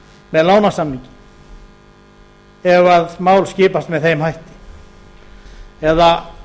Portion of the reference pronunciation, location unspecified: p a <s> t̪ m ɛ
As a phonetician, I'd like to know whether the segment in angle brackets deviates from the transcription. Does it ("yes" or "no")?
no